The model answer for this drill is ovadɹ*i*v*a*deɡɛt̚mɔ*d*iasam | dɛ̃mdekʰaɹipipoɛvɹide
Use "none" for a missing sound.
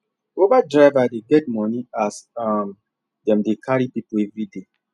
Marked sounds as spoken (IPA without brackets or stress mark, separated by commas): a, a, n